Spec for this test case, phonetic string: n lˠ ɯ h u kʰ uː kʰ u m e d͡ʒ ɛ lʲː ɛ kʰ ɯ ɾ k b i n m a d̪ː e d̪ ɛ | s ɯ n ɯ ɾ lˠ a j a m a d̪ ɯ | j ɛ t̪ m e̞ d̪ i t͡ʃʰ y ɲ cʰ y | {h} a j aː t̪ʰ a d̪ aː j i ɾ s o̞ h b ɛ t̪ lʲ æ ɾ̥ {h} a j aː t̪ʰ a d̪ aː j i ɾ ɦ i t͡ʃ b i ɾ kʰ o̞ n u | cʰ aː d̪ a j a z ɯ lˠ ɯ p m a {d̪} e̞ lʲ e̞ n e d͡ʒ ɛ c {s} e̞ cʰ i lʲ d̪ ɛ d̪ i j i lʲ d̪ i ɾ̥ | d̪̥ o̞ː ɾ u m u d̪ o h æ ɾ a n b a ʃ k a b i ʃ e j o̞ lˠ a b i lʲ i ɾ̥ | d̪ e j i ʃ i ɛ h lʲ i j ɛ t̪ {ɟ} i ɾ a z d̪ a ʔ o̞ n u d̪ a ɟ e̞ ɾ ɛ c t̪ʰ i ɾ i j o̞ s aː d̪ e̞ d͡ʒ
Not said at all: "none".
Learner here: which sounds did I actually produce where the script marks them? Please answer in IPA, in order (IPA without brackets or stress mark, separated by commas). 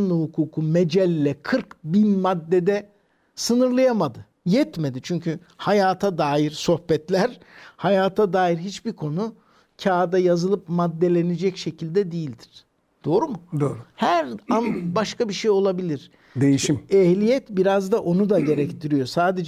h, h, d̪ː, ʃ, b